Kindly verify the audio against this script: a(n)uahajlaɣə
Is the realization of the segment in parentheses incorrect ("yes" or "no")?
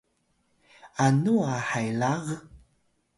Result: no